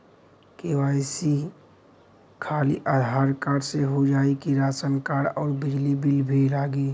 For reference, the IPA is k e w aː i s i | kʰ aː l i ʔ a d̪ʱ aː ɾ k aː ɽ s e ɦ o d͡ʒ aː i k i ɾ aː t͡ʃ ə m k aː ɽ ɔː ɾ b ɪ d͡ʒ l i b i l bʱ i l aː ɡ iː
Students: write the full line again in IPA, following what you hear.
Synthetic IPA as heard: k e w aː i s i | kʰ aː l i ʔ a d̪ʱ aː ɾ k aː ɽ s e ɦ o d͡ʒ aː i k i ɾ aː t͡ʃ ə n k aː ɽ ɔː ɾ b ɪ d͡ʒ l i b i l bʱ i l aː ɡ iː